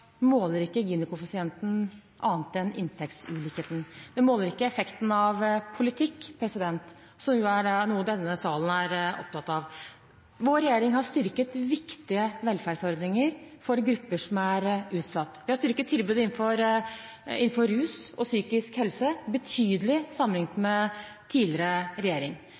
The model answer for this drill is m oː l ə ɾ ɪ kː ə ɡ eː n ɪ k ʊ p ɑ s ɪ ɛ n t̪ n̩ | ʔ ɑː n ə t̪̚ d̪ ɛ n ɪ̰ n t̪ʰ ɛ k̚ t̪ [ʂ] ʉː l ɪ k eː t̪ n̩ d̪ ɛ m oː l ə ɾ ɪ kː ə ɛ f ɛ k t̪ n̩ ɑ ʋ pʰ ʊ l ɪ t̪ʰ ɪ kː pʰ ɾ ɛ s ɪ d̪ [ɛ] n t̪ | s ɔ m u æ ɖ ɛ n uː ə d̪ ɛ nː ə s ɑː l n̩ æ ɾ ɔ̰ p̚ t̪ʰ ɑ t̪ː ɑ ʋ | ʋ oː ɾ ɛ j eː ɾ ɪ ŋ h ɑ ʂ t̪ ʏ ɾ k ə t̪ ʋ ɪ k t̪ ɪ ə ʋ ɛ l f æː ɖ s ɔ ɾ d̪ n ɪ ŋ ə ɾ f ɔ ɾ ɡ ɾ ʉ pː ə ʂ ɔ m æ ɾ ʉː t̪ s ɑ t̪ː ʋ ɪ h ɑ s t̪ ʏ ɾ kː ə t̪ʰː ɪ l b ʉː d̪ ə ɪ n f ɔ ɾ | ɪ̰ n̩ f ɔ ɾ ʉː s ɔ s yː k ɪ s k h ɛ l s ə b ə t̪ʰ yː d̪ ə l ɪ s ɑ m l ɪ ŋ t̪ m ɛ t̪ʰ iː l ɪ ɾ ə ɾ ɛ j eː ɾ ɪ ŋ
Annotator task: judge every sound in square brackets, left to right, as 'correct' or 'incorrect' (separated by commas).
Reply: incorrect, correct